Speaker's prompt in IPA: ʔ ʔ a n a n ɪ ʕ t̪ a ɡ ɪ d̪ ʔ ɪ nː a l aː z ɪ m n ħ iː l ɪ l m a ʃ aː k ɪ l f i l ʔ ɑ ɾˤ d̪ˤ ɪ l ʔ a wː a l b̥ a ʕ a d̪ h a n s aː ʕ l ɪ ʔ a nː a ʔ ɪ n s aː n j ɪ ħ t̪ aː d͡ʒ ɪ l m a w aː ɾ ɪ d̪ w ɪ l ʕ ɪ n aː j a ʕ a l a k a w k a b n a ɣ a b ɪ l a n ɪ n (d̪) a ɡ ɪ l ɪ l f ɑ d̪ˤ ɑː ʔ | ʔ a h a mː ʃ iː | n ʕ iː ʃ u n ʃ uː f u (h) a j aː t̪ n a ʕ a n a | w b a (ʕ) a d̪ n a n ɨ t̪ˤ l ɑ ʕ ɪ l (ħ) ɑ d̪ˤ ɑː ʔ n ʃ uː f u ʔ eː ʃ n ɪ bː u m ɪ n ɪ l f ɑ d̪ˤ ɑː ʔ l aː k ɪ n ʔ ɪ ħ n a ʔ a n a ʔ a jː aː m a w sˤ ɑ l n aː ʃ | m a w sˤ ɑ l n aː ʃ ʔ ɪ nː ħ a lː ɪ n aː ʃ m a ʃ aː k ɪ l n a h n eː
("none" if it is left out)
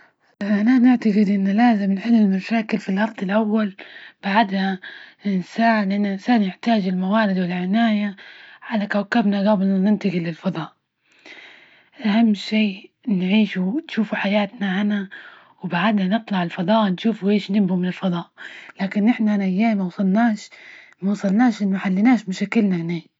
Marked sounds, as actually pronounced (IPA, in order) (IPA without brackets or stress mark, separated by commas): t̪, ħ, ʕ, f